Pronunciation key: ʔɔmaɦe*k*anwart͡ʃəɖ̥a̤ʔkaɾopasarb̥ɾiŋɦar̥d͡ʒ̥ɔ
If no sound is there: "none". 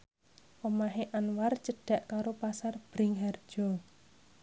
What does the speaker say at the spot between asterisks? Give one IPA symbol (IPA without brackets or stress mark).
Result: ʔ